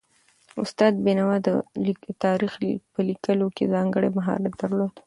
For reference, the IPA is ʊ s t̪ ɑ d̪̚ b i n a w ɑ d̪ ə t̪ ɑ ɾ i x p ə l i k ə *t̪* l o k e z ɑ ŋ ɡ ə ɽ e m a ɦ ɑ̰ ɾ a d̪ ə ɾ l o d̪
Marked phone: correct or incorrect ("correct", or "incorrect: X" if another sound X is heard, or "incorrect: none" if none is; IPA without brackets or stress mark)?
incorrect: none